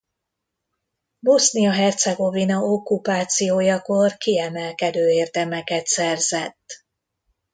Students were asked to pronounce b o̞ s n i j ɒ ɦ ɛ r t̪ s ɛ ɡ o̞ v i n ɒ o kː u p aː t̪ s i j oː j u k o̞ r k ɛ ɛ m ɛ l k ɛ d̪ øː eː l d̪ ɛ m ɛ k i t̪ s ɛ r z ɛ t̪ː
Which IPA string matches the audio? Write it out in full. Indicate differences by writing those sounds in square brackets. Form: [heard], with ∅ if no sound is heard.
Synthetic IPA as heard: b o̞ s n i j ɒ ɦ ɛ r t̪ s ɛ ɡ o̞ v i n ɒ o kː u p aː t̪ s i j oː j [ɒ] k o̞ r k [i] ɛ m ɛ l k ɛ d̪ øː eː [r] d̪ ɛ m ɛ k [ɛ] t̪ s ɛ r z ɛ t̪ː